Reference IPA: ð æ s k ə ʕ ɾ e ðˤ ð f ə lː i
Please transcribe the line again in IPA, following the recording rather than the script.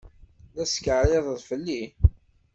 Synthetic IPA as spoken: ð æ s k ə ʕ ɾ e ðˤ ð f ə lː i